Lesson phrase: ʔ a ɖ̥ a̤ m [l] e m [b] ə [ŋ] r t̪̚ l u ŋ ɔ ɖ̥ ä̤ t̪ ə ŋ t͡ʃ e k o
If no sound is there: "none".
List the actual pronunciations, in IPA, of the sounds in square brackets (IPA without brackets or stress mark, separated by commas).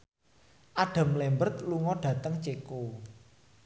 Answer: l, b, none